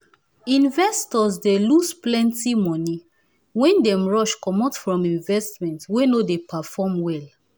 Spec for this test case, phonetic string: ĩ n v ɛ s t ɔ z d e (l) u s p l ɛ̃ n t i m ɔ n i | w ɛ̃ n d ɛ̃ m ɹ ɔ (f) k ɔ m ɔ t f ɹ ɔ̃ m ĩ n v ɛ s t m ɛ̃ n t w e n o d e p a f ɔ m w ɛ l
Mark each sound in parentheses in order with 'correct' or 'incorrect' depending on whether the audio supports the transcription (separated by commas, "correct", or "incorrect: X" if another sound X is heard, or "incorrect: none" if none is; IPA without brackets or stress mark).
correct, incorrect: ʃ